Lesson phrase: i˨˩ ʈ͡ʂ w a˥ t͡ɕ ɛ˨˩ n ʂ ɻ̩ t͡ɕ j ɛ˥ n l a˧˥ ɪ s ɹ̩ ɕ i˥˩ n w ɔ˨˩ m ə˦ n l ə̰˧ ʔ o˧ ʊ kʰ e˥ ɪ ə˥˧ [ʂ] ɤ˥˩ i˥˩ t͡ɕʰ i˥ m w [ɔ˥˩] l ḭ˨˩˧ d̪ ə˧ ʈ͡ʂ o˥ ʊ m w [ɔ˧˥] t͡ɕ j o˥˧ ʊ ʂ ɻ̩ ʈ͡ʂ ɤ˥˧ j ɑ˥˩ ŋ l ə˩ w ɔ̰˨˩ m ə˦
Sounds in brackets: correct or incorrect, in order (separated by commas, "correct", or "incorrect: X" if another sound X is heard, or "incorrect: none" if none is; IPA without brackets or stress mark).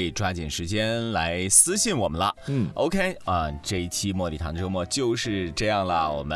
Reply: incorrect: ʈ͡ʂ, correct, incorrect: ɔ˥˩